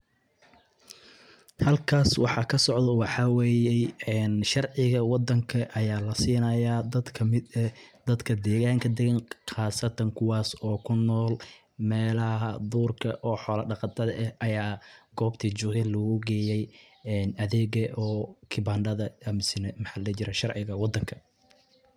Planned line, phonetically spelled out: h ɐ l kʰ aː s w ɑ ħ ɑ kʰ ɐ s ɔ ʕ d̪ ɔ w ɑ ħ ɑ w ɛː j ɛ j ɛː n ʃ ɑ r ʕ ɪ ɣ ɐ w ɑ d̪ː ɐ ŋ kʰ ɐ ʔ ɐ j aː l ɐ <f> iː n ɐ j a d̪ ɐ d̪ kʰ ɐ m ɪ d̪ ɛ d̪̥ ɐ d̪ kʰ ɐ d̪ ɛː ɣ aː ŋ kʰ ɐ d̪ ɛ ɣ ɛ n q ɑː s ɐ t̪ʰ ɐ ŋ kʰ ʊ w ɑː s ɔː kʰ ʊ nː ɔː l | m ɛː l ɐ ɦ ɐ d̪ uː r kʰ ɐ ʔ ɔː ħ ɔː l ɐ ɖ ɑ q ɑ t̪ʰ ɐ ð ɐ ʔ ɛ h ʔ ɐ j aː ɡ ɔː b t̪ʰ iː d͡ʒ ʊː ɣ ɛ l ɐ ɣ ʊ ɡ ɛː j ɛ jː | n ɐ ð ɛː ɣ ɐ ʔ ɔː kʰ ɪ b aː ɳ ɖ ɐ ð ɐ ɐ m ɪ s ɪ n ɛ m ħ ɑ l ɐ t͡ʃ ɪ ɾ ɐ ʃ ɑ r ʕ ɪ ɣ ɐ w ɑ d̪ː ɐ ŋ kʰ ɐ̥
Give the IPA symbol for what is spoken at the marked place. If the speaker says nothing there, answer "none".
s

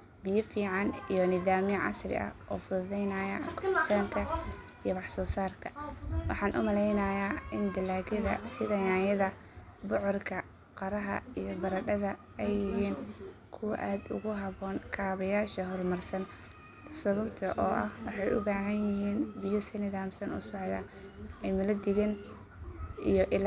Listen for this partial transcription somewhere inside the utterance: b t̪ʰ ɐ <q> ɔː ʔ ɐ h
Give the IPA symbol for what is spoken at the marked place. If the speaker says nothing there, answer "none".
ʔ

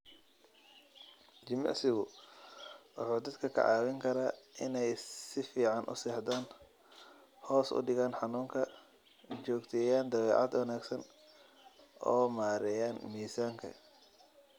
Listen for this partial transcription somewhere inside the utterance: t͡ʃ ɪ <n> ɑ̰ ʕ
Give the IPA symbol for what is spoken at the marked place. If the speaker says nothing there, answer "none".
m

